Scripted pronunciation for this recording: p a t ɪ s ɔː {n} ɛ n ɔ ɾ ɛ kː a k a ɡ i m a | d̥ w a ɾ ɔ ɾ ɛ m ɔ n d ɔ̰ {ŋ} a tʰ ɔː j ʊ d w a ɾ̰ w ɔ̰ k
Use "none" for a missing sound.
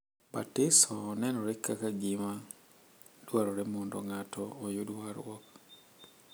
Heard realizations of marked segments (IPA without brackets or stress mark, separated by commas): n, ŋ